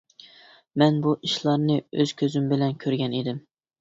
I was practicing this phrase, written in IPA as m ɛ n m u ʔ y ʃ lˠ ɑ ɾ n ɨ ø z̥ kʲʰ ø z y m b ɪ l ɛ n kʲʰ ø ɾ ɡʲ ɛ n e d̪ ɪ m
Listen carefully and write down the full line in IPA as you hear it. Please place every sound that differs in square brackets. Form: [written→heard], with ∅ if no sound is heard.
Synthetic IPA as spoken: m ɛ n [m→b] u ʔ [y→i] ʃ lˠ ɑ ɾ n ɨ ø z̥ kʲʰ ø z y m b ɪ l ɛ n kʲʰ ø ɾ ɡʲ ɛ n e d̪ ɪ m